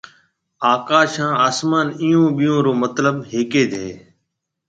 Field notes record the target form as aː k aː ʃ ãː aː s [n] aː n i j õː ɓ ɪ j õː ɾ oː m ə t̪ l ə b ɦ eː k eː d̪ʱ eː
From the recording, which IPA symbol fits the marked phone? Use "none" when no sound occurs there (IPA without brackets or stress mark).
m